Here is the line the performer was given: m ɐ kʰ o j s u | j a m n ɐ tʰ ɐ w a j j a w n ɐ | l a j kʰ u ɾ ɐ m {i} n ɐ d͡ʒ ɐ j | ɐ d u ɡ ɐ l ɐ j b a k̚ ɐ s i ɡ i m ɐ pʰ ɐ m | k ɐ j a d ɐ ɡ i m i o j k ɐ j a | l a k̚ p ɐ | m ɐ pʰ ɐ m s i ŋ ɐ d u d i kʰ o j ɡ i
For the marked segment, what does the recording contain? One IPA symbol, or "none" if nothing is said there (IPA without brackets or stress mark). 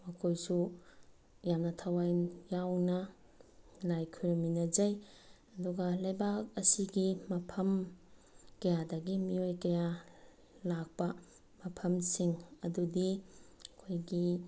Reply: i